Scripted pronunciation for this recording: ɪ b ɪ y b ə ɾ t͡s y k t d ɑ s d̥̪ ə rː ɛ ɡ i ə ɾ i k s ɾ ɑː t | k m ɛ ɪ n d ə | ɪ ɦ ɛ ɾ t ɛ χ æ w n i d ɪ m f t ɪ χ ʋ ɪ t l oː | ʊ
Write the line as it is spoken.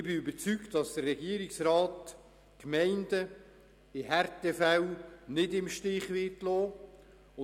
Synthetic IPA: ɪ b ɪ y b ə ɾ t͡s y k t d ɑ s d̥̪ ə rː ɛ ɡ i ə ɾ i k s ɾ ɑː t | k m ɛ ɪ n d ə | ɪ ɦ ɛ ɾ t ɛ f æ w n ɪ d ɪ m ʃ t ɪ χ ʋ ɪ t l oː | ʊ